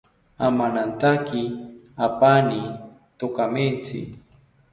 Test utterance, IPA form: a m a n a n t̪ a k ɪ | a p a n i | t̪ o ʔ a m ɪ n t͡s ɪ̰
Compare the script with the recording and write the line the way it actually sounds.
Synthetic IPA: a m a n a n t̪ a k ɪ | a p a n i | t̪ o k a m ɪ n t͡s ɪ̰

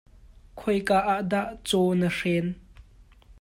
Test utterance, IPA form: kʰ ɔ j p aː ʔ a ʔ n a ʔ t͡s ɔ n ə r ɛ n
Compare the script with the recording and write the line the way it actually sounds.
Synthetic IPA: kʰ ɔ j k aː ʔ a ʔ d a ʔ t͡s ɔ n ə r ɛ n

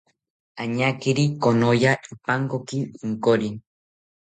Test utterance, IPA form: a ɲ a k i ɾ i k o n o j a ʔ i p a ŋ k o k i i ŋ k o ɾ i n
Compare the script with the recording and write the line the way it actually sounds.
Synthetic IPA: a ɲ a k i ɾ i k o n o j a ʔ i p a ŋ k o k i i ŋ k o ɾ i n

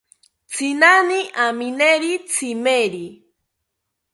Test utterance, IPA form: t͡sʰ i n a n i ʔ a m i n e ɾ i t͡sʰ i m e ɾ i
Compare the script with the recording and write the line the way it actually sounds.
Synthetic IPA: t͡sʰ i n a n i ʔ a m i n e ɾ i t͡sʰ i m e ɾ i

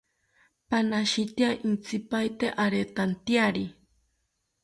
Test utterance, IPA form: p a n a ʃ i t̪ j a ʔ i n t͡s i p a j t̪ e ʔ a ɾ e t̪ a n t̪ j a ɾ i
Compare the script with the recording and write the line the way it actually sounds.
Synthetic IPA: p a n a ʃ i t̪ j a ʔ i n t͡s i p a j t̪ e ʔ a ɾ e t̪ a n t̪ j a ɾ i

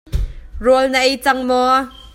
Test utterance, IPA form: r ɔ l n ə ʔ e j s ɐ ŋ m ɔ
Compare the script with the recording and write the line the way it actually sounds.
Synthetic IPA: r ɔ l n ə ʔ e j t͡s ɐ ŋ m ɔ

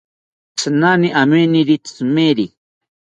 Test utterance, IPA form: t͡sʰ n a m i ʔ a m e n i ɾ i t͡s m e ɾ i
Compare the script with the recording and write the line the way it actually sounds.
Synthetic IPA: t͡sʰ n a n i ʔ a m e n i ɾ i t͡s m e ɾ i

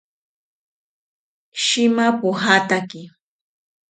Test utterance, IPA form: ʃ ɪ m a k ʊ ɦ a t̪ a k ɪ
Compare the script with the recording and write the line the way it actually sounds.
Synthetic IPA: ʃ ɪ m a p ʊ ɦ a t̪ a k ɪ

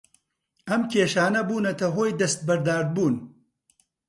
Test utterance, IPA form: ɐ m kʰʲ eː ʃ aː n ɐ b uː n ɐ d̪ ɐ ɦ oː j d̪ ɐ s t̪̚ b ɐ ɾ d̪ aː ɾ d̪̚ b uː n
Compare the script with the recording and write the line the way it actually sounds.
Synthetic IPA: ɐ m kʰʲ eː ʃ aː n ɐ b uː n ɐ t̪ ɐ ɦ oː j d̪ ɐ s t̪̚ b ɐ ɾ d̪ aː ɾ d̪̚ b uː n

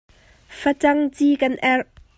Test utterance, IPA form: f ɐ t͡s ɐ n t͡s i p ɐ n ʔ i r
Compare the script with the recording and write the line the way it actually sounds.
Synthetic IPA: f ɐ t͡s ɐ ŋ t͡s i k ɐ n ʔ ɛ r

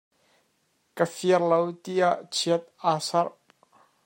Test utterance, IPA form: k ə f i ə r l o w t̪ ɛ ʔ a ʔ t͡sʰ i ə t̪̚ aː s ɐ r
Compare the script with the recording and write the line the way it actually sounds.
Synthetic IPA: k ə f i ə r l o w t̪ i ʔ a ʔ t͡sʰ i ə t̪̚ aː s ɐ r

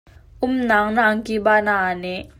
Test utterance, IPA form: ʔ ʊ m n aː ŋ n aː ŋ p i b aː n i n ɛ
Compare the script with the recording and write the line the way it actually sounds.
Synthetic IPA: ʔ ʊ m n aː ŋ n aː ŋ k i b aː n a n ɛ

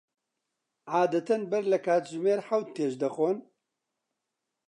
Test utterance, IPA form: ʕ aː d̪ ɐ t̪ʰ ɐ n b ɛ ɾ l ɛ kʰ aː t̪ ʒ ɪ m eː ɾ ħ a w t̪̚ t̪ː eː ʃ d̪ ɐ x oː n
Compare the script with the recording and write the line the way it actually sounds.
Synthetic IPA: ʕ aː d̪ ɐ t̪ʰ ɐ n b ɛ ɾ l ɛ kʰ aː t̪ ʒ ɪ m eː ɾ ħ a w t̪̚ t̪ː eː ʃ d̪ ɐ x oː n

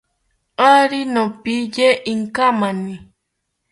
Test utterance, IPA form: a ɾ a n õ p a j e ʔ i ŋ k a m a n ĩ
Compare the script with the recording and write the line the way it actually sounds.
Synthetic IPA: a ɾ i n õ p i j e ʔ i ŋ k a m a n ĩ

